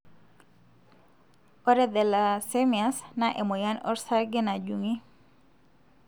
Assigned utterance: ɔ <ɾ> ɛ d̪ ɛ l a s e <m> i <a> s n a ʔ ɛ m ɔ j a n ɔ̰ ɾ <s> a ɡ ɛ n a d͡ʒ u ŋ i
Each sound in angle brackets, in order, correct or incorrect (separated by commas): correct, correct, correct, correct